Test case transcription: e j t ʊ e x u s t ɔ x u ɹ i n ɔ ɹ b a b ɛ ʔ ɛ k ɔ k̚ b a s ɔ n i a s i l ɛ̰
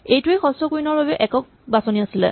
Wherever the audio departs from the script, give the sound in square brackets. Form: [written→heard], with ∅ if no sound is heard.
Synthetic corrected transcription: e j t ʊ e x [u→ɔ] s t ɔ [x→k] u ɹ i n ɔ ɹ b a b ɛ ʔ ɛ k ɔ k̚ b a s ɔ n i a s i l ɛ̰